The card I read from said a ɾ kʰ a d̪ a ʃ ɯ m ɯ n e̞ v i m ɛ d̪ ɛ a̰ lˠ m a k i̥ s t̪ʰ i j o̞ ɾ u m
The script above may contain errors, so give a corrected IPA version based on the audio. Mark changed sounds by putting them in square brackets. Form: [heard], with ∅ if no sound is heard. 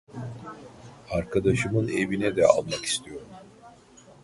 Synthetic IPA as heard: a ɾ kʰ a d̪ a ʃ ɯ m ɯ n e̞ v i [n] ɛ d̪ ɛ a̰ lˠ m a k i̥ s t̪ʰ i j o̞ ɾ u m